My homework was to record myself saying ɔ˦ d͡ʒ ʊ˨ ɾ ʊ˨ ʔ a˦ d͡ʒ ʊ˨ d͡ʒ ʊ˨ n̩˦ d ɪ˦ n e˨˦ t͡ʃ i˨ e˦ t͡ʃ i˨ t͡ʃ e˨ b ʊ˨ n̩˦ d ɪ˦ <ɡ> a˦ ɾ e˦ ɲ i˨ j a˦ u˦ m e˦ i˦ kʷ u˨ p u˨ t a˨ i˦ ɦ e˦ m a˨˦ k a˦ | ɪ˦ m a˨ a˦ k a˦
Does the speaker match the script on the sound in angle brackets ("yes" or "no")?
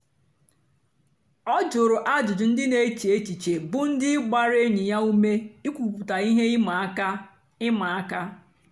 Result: no